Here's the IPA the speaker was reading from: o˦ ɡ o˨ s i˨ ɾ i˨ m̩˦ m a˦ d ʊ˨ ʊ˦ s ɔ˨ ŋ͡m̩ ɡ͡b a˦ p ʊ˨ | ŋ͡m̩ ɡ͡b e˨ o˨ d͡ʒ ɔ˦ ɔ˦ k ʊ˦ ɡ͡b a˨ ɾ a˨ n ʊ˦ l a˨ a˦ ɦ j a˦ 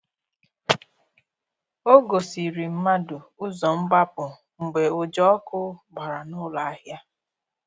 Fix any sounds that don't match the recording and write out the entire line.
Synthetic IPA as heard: o˦ ɡ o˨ s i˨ ɾ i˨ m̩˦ m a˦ d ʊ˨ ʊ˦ z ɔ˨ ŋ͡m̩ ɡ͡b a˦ p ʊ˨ | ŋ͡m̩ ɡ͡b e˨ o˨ d͡ʒ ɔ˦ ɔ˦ k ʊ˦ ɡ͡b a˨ ɾ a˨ n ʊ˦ l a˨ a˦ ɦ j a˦

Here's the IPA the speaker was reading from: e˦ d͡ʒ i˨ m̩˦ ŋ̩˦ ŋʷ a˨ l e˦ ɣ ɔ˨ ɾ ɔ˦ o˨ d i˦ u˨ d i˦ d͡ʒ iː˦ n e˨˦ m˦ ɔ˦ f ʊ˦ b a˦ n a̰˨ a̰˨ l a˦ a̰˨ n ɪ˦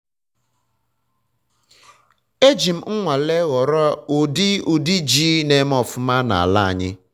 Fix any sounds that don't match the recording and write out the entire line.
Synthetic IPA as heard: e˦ d͡ʒ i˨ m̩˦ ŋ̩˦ ŋʷ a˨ l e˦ ɣ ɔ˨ ɾ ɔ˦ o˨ d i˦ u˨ d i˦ d͡ʒ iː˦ n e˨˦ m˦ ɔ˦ f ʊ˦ m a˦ n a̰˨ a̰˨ l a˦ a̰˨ ɲ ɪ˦

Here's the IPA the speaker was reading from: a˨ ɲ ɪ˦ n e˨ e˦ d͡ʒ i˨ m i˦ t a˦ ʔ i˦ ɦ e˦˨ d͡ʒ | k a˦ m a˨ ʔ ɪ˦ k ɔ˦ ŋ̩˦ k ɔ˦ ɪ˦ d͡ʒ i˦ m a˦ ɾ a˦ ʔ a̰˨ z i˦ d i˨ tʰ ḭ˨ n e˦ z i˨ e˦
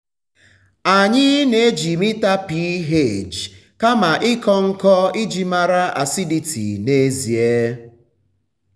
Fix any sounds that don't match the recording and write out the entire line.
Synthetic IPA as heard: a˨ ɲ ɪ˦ n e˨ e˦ d͡ʒ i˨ m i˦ t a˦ p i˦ ɦ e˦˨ d͡ʒ | k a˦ m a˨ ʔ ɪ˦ k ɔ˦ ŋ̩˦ k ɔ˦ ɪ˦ d͡ʒ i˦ m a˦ ɾ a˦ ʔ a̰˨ s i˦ d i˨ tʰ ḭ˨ n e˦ z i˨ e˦

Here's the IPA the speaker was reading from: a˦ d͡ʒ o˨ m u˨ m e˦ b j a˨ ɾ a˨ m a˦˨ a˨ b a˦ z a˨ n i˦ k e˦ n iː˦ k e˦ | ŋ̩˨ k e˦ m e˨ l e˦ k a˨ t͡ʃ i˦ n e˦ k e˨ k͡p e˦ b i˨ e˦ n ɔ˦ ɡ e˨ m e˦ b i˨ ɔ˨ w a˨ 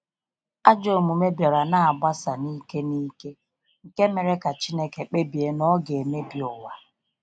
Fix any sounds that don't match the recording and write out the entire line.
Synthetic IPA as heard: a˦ d͡ʒ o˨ m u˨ m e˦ b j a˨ ɾ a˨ n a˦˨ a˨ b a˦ s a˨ n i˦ k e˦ n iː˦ k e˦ | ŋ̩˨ k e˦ m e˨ ɾ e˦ k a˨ t͡ʃ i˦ n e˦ k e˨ k͡p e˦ b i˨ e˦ n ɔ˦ ɡ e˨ m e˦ b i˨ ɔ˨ w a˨

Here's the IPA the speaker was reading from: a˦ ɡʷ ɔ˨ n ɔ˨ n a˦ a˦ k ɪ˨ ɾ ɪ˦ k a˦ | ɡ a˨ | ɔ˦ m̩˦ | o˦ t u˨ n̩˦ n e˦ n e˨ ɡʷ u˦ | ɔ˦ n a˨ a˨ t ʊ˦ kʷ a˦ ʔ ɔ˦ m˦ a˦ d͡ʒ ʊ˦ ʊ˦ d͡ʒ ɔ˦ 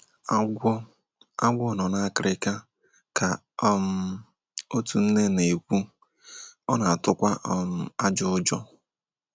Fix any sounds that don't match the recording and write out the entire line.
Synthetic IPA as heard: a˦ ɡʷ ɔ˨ n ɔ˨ n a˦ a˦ k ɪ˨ ɾ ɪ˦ k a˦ | k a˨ | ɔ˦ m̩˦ | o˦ t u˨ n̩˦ n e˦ n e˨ kʷ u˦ | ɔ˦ n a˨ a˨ t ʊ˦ kʷ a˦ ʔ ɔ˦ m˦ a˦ d͡ʒ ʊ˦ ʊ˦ d͡ʒ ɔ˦

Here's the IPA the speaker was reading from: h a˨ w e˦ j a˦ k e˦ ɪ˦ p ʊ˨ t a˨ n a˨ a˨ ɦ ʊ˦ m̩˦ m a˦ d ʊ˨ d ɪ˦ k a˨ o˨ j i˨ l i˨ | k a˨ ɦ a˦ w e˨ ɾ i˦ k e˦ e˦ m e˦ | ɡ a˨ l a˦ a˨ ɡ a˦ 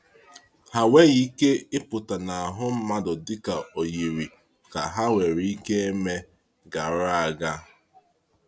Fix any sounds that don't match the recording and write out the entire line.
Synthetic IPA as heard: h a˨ w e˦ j i˦ k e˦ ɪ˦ p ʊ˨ t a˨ n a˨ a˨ ɦ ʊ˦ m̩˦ m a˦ d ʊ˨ d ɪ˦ k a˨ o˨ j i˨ ɾ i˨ | k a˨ ɦ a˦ w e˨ ɾ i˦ k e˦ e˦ m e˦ | ɡ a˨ ɾ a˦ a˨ ɡ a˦

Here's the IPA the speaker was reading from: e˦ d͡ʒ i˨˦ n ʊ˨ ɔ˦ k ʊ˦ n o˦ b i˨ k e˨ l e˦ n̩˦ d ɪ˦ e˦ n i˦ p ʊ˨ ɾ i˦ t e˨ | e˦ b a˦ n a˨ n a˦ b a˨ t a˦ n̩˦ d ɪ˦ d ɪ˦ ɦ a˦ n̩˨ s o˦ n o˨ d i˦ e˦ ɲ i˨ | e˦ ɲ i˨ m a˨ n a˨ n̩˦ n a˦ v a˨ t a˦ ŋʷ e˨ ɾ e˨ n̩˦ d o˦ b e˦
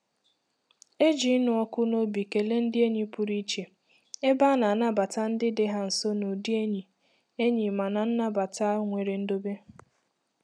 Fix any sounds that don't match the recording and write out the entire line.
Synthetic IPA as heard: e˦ d͡ʒ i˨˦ n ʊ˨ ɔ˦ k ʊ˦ n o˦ b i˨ k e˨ l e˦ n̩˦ d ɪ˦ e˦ ɲ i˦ p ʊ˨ ɾ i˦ t͡ʃ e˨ | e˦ b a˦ n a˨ n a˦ b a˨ t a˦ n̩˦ d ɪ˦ d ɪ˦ ɦ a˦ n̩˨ s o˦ n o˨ d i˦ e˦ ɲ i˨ | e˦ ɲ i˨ m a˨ n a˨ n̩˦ n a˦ b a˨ t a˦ ŋʷ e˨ ɾ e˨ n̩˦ d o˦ b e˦

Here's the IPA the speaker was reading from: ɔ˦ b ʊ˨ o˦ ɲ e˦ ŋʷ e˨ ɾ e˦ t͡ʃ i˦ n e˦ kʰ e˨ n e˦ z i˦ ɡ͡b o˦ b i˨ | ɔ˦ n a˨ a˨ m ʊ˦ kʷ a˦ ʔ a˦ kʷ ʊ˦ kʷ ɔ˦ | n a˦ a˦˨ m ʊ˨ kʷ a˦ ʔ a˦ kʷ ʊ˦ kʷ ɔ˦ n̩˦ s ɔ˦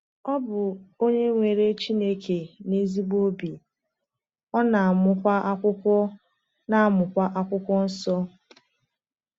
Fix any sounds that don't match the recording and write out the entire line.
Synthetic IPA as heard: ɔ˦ b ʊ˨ o˦ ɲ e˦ ŋʷ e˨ ɾ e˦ t͡ʃ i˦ n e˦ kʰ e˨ n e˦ z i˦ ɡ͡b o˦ b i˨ | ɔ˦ n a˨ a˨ m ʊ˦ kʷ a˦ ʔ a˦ kʷ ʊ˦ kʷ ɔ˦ | n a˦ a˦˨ m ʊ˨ kʷ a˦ ʔ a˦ kʷ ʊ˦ kʷ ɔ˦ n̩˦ s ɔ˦

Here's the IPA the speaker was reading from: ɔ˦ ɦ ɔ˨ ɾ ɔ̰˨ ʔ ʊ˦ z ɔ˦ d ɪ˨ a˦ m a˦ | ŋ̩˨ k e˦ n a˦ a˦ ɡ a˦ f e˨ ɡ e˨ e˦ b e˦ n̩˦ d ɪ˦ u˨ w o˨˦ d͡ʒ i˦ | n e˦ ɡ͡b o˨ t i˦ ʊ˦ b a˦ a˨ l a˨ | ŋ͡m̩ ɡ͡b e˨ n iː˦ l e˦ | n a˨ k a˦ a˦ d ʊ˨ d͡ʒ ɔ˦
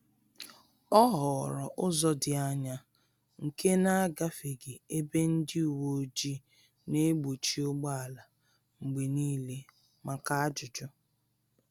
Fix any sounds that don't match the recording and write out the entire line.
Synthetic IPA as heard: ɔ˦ ɦ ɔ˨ ɾ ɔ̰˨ ʔ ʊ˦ z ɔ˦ d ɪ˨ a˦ ɲ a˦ | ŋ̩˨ k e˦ n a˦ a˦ ɡ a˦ f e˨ ɡ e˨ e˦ b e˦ n̩˦ d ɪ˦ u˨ w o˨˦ d͡ʒ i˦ | n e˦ ɡ͡b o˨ t͡ʃ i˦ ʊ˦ ɡ͡b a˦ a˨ l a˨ | ŋ͡m̩ ɡ͡b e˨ n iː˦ l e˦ | m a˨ k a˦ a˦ d͡ʒ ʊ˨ d͡ʒ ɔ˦

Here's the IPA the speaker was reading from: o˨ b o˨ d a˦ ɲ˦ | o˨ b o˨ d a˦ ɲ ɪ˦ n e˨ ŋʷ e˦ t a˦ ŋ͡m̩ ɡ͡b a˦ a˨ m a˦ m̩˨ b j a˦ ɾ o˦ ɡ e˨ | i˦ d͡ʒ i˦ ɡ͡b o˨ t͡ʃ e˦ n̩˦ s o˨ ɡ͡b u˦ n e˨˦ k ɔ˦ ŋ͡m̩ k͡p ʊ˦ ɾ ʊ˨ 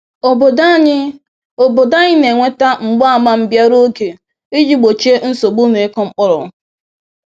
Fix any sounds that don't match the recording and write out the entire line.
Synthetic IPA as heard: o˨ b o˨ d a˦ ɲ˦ | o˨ b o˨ d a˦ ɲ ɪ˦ n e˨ ŋʷ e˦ t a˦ ŋ͡m̩ ɡ͡b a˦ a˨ m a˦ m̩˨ b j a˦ ɾ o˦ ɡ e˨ | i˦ d͡ʒ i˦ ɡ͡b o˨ t͡ʃ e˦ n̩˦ s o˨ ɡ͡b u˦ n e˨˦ k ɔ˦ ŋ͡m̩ k͡p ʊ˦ ɾ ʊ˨

